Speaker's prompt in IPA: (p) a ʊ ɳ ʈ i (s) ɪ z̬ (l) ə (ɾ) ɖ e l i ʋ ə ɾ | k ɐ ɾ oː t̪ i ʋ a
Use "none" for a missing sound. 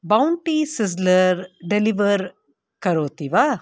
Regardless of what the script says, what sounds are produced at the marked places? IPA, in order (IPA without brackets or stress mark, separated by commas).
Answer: b, s, l, ɾ